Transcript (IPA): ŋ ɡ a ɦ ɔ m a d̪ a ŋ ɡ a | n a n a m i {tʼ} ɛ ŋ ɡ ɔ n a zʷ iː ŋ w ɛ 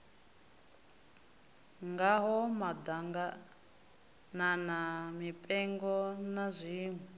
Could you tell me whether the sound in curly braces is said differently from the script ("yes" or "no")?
yes